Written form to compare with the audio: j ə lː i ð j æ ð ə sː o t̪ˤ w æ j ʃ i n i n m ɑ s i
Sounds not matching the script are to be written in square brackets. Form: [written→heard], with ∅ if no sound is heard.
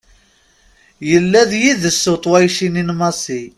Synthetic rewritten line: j ə lː [i→æ] ð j [æ→i] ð ə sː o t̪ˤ w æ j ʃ i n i n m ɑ s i